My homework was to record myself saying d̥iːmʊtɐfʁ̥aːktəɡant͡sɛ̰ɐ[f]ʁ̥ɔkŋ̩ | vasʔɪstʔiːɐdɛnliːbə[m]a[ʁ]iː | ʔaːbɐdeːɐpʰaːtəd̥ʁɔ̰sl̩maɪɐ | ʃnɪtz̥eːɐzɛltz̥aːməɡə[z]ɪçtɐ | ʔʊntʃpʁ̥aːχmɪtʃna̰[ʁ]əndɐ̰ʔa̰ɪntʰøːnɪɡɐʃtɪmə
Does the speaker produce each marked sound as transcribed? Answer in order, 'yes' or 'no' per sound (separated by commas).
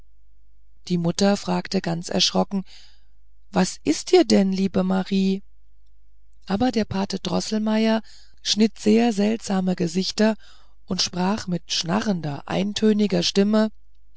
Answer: no, yes, yes, yes, yes